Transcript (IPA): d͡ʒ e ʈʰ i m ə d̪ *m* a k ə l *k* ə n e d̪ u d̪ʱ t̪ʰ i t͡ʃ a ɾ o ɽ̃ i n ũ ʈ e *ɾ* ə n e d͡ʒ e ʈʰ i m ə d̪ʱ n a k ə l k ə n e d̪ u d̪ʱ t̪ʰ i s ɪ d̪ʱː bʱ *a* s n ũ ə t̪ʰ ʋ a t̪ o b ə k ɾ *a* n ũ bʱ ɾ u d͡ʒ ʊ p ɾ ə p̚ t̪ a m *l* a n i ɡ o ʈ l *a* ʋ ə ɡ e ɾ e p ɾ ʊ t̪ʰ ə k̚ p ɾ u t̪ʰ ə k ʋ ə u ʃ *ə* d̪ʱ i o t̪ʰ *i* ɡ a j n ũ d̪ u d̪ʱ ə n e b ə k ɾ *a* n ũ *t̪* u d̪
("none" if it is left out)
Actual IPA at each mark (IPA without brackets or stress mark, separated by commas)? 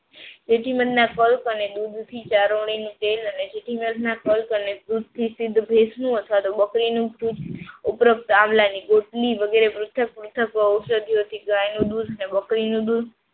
n, k, l, e, i, l, i, ə, i, i, d̪